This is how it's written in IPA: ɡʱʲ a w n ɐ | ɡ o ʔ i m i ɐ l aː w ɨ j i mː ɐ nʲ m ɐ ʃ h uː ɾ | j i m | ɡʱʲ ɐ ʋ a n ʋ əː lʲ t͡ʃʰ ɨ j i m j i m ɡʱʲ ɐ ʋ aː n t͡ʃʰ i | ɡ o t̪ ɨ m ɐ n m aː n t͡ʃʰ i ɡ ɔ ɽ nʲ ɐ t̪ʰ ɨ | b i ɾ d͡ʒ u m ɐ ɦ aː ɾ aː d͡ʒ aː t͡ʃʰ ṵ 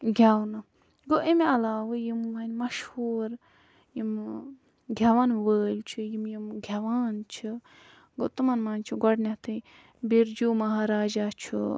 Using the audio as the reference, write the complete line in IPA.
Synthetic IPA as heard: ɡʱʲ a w n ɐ | ɡ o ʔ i m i ɐ l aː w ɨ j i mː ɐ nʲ m ɐ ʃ h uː ɾ | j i m | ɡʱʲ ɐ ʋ a n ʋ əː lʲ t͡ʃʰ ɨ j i m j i m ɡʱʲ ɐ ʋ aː n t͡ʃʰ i | ɡ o t̪ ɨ m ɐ n m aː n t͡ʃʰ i ɡ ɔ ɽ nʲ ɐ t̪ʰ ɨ | b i ɾ d͡ʒ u m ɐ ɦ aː ɾ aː d͡ʒ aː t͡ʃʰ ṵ